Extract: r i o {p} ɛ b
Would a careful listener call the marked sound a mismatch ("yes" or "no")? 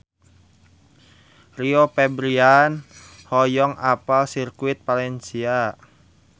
no